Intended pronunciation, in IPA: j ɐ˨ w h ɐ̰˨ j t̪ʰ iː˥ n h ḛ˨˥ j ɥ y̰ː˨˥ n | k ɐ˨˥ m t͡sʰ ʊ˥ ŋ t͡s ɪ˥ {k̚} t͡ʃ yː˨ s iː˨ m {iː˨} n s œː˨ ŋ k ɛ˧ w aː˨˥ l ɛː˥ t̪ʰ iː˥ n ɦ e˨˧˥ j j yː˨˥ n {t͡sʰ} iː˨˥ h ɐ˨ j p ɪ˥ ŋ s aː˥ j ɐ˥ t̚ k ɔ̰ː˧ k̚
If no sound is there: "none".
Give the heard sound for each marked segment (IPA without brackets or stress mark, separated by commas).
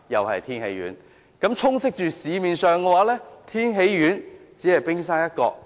k̚, iː˨, t͡s